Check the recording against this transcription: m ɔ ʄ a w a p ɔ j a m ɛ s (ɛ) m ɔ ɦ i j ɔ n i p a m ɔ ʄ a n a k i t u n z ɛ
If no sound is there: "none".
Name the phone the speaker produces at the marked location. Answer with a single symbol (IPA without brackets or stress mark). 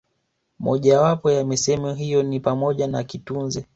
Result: ɛ